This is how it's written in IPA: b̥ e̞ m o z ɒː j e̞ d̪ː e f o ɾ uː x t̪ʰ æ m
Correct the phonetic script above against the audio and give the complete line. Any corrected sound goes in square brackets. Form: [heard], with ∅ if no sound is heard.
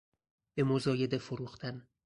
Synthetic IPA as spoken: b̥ e̞ m o z ɒː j e̞ [d̪] e f o ɾ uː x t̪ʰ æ [n]